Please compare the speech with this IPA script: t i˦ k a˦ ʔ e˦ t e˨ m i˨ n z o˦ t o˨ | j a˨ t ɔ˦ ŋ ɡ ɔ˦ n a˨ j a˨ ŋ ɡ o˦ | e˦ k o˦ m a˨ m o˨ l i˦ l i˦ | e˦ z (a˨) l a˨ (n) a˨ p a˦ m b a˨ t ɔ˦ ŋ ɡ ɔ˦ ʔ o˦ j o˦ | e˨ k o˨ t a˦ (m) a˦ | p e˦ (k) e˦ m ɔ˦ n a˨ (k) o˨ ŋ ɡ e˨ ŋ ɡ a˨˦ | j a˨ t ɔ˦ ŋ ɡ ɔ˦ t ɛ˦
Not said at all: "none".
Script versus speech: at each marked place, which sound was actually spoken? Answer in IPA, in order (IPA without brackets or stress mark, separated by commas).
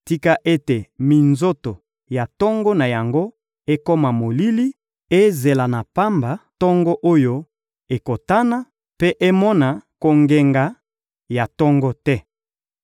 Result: e˨, n, n, ʔ, k